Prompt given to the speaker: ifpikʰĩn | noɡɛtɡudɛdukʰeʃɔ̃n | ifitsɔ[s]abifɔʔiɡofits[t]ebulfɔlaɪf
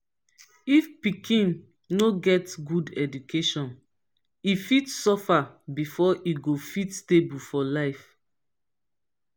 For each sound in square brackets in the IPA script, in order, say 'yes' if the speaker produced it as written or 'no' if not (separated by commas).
no, yes